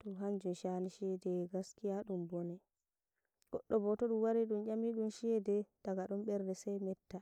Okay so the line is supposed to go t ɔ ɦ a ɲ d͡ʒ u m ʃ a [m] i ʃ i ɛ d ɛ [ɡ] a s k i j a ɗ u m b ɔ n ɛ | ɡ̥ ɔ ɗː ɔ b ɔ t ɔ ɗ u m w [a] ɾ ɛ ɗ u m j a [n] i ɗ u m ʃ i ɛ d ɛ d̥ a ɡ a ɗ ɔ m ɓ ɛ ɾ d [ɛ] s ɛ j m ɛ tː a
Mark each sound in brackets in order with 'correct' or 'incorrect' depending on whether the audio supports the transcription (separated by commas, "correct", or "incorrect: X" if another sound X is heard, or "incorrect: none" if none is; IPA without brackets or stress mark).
incorrect: n, correct, correct, incorrect: m, correct